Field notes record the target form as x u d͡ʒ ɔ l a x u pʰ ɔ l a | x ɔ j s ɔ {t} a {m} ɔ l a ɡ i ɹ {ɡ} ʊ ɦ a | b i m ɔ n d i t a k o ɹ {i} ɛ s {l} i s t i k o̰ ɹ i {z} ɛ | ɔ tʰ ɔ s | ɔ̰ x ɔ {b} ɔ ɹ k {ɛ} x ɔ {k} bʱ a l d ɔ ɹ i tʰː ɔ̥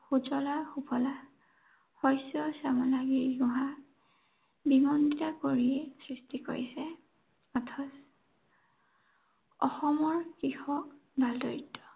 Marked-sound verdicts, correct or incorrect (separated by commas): incorrect, correct, correct, correct, incorrect, incorrect, incorrect, incorrect, correct